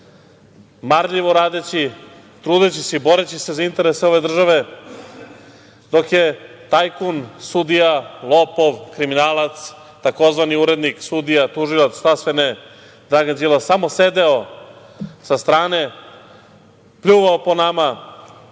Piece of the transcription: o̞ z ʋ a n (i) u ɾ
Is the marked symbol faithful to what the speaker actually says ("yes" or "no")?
yes